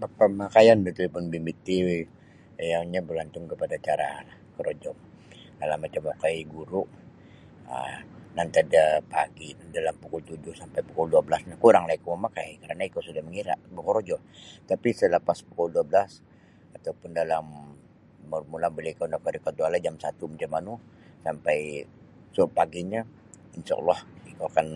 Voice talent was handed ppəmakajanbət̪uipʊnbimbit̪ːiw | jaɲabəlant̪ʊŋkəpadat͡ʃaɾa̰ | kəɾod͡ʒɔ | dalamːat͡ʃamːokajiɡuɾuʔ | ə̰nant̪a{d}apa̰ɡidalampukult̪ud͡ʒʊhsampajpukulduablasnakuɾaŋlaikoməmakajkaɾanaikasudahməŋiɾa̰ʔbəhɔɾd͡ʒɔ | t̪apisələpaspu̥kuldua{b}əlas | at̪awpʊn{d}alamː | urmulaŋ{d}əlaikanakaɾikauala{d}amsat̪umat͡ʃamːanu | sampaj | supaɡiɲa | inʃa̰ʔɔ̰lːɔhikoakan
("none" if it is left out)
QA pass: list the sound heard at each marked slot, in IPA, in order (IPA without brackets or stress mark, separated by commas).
d, b, d, b, d͡ʒ